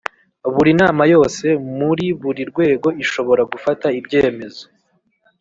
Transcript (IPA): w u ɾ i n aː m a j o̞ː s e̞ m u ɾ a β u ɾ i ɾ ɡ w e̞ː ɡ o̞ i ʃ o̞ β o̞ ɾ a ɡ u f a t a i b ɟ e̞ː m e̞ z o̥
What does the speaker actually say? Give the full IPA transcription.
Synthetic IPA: β u ɾ i n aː m a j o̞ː s e̞ m u ɾ i β u ɾ i ɾ ɡ w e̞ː ɡ o̞ i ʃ o̞ β o̞ ɾ a ɡ u f a t a i b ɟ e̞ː m e̞ z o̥